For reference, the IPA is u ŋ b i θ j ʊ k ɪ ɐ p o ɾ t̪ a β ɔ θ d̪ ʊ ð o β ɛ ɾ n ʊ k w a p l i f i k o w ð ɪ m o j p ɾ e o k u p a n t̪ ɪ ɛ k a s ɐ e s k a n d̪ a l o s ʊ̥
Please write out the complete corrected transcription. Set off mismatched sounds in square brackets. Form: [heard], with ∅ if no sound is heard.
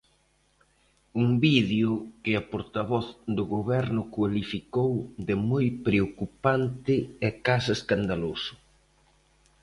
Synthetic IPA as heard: u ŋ b i [ð] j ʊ k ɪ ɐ p o ɾ t̪ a β ɔ θ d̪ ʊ [ɣ] o β ɛ ɾ n ʊ k w a [∅] l i f i k o w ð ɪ m o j p ɾ e o k u p a n t̪ ɪ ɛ k a s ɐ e s k a n d̪ a l o s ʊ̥